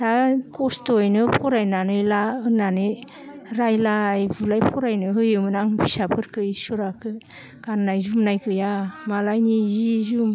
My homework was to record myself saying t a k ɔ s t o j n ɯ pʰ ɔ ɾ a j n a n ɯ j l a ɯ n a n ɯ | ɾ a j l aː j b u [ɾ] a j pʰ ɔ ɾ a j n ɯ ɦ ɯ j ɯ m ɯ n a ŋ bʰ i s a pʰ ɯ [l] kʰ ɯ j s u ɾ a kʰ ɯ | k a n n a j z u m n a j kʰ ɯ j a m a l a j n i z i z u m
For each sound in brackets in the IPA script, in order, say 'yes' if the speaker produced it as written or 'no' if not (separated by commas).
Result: no, no